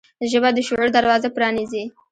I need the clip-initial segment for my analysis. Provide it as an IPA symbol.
ʒ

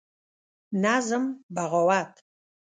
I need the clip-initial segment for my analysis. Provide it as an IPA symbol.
n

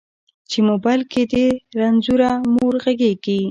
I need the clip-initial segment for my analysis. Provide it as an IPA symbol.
t͡ʃ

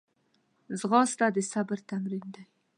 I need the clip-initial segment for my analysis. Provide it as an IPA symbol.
z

